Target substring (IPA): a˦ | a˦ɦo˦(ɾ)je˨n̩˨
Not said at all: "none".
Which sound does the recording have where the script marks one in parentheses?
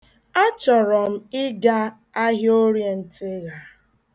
ɾ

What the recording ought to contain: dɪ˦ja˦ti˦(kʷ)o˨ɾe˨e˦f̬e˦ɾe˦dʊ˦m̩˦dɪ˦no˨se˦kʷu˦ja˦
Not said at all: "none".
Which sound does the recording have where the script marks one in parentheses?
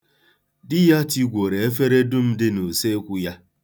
ɡʷ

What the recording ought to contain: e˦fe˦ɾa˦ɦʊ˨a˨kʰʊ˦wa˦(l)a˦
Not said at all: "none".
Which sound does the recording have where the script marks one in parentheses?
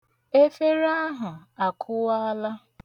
l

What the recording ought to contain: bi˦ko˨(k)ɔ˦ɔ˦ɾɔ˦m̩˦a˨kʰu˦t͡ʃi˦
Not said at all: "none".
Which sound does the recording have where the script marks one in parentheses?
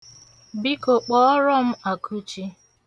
k͡p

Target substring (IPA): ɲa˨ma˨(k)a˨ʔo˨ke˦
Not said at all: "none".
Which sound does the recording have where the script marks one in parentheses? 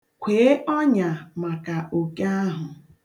k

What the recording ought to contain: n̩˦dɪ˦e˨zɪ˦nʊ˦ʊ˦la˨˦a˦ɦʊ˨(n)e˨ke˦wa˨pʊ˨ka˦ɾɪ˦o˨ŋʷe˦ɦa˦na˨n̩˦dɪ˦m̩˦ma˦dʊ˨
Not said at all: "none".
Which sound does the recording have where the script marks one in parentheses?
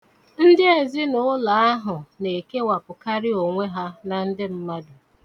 n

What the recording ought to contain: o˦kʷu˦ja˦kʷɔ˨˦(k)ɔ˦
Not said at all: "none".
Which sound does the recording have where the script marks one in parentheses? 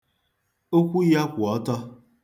t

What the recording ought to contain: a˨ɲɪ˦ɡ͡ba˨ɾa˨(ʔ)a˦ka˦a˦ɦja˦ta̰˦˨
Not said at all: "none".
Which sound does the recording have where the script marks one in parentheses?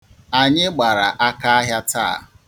ʔ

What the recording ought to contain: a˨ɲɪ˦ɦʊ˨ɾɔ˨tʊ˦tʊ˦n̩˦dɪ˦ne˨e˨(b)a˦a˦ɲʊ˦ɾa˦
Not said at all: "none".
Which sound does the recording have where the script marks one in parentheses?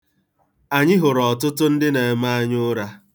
m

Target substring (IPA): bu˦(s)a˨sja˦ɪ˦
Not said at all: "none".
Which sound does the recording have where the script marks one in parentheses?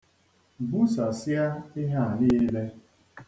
s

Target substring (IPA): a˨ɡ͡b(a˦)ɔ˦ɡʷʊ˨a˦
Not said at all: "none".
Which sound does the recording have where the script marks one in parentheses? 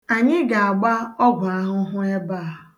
a˦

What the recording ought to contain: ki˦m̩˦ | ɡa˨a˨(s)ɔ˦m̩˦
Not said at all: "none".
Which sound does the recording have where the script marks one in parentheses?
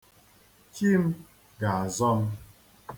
z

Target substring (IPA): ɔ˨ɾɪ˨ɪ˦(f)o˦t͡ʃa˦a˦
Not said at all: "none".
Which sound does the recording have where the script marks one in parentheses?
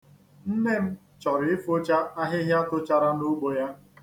f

